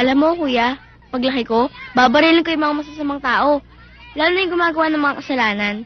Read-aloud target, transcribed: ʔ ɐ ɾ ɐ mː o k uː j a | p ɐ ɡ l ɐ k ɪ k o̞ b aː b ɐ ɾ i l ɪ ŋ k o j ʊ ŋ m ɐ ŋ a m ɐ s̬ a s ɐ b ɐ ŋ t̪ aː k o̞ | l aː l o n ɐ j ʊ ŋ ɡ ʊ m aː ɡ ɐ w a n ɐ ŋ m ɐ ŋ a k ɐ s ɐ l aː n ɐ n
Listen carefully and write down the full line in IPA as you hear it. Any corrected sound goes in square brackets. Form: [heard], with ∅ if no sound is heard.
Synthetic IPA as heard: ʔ ɐ [l] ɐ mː o k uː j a | p ɐ ɡ l ɐ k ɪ k o̞ b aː b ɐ ɾ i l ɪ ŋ k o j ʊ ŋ m ɐ ŋ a m ɐ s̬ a s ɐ [m] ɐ ŋ t̪ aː [ʔ] o̞ | l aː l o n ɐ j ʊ ŋ ɡ ʊ m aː ɡ ɐ w a n ɐ ŋ m ɐ ŋ a k ɐ s ɐ l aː n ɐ n

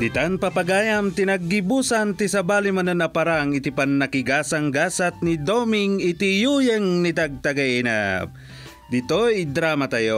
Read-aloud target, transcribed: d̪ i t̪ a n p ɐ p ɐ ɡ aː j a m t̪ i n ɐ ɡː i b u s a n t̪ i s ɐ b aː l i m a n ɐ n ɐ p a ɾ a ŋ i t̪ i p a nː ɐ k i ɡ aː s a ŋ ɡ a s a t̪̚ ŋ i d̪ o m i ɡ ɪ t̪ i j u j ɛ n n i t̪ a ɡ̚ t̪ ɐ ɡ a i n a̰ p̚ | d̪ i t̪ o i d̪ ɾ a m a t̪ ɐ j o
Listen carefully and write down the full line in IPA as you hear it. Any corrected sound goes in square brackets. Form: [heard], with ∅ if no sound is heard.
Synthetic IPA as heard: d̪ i t̪ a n p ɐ p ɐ ɡ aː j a m t̪ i n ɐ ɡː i b u s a n t̪ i s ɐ b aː l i m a n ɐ n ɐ p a ɾ a ŋ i t̪ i p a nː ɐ k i ɡ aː s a ŋ ɡ a s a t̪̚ [n] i d̪ o m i [ŋ] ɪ t̪ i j u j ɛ [ŋ] n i t̪ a ɡ̚ t̪ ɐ ɡ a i n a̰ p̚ | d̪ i t̪ o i d̪ ɾ a m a t̪ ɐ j o

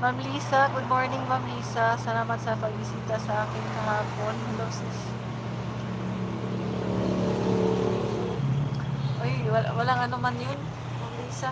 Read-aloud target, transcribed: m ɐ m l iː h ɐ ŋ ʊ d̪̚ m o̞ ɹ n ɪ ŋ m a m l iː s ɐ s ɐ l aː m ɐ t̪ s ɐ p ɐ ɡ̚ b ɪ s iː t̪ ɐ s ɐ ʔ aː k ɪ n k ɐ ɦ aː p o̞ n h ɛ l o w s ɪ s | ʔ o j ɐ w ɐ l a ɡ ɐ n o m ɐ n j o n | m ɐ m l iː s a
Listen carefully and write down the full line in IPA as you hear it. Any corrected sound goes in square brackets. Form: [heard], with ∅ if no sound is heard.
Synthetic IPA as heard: m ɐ m l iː [s] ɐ [ɡ] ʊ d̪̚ m o̞ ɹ n ɪ ŋ m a m l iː s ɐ s ɐ l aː m ɐ t̪ s ɐ p ɐ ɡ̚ b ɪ s iː t̪ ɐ s ɐ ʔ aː k ɪ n k ɐ ɦ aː p o̞ n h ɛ l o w s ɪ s | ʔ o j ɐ w ɐ l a [ŋ] ɐ n o m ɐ n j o n | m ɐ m l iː s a

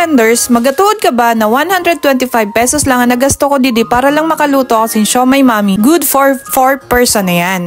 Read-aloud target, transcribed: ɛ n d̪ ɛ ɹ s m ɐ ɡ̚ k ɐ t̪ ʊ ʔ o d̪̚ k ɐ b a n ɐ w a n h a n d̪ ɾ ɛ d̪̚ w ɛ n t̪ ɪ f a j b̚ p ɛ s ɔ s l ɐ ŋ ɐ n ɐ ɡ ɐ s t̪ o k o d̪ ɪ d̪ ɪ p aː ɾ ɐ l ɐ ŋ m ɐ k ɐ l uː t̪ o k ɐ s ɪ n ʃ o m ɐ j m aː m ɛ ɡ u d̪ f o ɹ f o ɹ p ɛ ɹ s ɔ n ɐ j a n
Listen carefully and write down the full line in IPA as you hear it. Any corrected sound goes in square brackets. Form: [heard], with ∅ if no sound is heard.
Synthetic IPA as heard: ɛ n d̪ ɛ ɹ s m ɐ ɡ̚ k ɐ t̪ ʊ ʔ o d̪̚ k ɐ b a n ɐ w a n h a n d̪ ɾ ɛ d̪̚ w ɛ n t̪ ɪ f a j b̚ p ɛ s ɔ s l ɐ ŋ ɐ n ɐ ɡ ɐ s t̪ o k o d̪ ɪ d̪ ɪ p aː ɾ ɐ l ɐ ŋ m ɐ k ɐ l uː t̪ o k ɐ s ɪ n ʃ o m ɐ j m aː m [i] ɡ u d̪ f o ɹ f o ɹ p ɛ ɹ s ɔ n ɐ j a n

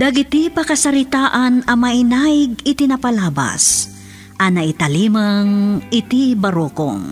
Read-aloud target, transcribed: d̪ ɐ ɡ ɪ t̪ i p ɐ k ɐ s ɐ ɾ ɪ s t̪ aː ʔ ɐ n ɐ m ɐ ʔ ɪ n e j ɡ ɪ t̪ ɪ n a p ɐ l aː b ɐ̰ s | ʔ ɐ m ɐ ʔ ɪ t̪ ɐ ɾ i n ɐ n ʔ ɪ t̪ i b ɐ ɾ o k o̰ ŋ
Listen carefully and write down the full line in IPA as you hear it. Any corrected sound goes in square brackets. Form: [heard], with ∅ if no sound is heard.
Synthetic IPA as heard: d̪ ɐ ɡ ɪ t̪ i p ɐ k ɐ s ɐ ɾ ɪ [∅] t̪ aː ʔ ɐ n ɐ m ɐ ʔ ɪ n [a] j ɡ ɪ t̪ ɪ n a p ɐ l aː b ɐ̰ s | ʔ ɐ [n] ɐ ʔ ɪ t̪ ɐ [l] i [m] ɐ [ŋ] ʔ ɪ t̪ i b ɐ ɾ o k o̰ ŋ

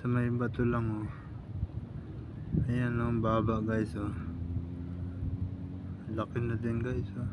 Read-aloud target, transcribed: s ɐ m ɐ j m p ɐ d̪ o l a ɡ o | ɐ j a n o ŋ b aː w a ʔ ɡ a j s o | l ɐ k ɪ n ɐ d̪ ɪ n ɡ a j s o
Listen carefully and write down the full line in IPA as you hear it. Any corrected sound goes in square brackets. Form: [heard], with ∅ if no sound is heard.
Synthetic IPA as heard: s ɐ m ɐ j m [b] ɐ [t̪] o l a [ŋ] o | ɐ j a n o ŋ b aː [b] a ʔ ɡ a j s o | l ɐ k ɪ n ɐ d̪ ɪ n ɡ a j s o

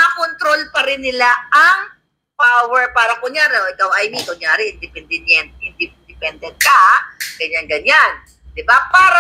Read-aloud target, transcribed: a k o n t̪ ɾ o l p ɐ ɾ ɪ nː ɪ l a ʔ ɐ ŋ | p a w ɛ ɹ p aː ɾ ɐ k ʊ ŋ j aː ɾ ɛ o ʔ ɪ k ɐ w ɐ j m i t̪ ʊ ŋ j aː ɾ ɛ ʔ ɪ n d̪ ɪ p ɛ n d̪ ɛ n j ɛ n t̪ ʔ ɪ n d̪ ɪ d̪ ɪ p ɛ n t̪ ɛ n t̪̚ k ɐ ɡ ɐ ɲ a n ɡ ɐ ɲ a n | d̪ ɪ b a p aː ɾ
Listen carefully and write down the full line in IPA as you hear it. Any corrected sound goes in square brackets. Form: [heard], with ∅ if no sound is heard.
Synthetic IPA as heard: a k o n t̪ ɾ o l p ɐ ɾ ɪ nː ɪ l a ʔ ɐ ŋ | p a w ɛ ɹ p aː ɾ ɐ k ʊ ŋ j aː ɾ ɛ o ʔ ɪ k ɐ w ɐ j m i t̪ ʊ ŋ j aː ɾ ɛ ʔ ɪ n d̪ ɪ p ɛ n d̪ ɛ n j ɛ n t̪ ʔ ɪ n d̪ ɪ d̪ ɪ p ɛ n [d̪] ɛ n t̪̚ k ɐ ɡ ɐ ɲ a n ɡ ɐ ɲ a n | d̪ ɪ b a p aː ɾ

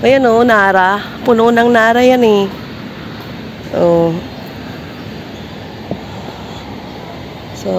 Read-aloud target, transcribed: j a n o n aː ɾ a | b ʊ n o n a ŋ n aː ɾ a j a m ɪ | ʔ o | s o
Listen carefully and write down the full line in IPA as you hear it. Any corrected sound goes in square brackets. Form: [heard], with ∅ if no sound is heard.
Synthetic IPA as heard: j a n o n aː ɾ a | [p] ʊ n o n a ŋ n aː ɾ a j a [n] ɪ | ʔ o | s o

